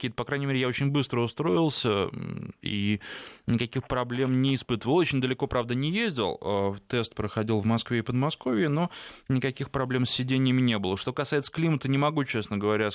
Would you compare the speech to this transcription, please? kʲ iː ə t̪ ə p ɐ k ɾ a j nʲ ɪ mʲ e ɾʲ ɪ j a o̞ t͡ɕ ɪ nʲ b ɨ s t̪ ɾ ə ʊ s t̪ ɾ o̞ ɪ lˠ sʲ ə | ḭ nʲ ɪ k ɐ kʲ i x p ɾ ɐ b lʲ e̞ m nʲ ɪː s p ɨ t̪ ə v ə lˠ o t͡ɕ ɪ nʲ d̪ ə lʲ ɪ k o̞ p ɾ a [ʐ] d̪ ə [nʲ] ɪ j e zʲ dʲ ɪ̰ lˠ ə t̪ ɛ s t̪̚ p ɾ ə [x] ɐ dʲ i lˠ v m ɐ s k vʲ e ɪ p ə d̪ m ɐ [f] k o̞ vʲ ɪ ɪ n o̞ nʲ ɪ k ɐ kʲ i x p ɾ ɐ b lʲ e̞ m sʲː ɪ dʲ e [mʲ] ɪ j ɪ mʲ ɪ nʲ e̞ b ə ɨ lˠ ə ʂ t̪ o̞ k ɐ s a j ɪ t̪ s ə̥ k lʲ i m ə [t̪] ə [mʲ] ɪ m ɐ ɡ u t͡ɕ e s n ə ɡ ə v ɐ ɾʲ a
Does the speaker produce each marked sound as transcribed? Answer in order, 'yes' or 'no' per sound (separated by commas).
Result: no, yes, yes, no, no, yes, no